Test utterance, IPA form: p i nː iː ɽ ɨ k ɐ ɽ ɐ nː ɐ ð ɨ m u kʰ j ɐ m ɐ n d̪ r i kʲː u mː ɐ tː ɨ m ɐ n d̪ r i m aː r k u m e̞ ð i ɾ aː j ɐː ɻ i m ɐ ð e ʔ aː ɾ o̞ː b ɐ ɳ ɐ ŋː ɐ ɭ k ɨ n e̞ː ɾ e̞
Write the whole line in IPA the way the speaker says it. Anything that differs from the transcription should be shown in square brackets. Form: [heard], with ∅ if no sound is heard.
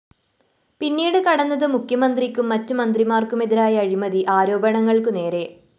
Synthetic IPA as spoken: p i nː iː ɽ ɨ k ɐ ɽ ɐ nː ɐ ð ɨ m u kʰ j ɐ m ɐ n d̪ r i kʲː u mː ɐ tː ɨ m ɐ n d̪ r i m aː r k u m e̞ ð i ɾ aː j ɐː ɻ i m ɐ ð [i] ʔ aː ɾ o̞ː b ɐ ɳ ɐ ŋː ɐ ɭ k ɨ n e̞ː ɾ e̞